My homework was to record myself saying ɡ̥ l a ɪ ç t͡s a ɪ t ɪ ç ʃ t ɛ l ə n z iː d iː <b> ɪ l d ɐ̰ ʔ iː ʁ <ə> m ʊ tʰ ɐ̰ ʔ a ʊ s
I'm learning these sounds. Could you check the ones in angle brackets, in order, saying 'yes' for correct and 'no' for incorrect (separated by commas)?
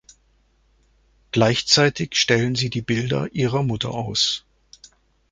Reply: yes, no